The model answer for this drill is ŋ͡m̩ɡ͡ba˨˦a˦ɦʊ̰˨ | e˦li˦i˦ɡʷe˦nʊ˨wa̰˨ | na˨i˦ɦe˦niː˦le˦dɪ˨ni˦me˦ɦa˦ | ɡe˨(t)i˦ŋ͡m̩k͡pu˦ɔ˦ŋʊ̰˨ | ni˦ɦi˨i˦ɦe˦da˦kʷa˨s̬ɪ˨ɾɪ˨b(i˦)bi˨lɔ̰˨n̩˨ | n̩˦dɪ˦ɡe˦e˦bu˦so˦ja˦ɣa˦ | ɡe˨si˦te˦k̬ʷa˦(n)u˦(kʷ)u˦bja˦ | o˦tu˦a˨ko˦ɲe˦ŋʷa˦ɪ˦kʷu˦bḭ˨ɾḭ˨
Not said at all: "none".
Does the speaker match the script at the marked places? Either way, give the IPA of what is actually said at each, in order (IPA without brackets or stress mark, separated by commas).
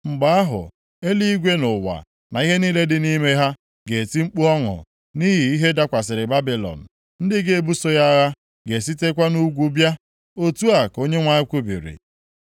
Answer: t, a˦, n, ɡʷ